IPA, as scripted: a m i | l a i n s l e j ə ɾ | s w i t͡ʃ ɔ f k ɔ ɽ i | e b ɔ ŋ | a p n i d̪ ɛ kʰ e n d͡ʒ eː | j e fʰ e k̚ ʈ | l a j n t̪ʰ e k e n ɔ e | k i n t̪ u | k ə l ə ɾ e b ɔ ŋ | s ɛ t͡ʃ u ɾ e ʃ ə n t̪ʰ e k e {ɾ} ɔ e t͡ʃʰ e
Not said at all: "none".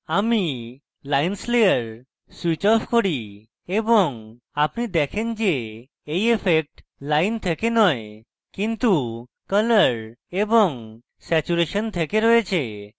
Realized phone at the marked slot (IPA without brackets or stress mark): ɾ